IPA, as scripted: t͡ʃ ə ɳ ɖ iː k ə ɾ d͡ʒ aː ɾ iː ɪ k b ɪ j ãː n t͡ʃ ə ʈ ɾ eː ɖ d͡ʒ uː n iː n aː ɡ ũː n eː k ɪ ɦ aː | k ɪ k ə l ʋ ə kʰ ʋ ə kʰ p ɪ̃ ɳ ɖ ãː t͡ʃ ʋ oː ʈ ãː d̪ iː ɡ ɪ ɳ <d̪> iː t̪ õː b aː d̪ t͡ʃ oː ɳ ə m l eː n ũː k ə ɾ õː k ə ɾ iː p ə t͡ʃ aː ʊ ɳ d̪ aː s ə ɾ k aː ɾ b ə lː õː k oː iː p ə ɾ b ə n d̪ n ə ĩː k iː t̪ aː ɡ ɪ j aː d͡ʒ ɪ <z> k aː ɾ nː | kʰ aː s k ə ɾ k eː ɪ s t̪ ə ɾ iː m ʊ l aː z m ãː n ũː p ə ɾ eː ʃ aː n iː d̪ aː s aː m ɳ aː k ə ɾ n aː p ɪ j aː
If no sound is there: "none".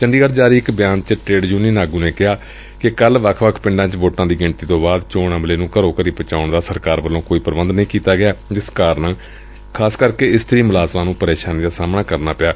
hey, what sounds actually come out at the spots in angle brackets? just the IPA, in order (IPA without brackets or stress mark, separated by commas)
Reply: t̪, s